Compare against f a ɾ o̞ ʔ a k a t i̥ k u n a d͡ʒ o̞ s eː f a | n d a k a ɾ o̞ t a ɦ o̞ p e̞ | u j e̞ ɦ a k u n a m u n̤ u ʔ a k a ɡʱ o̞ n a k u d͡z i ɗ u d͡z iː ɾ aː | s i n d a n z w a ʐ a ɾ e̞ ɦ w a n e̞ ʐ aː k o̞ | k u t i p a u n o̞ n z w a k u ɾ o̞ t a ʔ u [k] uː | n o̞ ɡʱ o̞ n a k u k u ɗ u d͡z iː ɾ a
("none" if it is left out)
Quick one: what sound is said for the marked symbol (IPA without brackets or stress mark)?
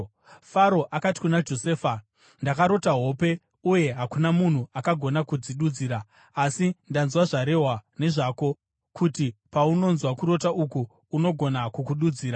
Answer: k